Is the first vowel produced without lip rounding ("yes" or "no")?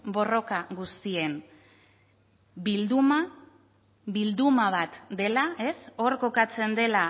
no